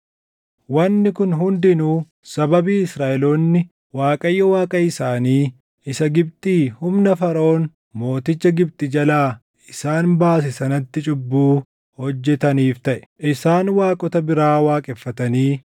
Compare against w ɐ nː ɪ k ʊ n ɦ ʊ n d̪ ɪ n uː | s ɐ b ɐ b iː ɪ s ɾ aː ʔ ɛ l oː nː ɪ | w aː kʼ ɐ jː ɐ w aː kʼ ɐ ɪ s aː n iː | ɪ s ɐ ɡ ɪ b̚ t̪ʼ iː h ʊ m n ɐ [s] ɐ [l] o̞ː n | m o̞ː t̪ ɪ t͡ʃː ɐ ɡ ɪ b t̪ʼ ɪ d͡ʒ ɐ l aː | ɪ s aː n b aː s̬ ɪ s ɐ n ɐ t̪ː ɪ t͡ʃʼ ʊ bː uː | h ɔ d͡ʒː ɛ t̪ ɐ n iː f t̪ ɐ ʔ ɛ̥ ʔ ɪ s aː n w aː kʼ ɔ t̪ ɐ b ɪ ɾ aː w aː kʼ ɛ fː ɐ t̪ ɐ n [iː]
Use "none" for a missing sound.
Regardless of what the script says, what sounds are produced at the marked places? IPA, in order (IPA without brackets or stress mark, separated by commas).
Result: f, ɾ, iː